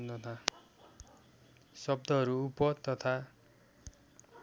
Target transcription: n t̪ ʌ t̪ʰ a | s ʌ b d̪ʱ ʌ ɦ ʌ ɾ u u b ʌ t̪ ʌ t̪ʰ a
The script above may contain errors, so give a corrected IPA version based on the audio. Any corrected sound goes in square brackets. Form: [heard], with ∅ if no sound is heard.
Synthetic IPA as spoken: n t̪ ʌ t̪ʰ a | s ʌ b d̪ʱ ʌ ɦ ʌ ɾ u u [p] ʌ t̪ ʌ t̪ʰ a

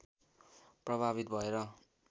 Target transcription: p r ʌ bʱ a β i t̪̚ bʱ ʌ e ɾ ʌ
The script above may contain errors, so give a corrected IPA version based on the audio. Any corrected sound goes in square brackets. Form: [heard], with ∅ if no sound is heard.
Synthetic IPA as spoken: p r ʌ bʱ a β i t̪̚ bʱ ʌ e ɾ ʌ

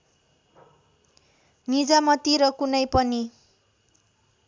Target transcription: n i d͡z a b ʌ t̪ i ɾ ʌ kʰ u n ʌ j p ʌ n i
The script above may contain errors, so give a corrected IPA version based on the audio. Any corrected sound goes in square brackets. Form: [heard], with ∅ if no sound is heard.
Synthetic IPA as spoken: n i d͡z a [m] ʌ t̪ i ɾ ʌ [k] u n ʌ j p ʌ n i

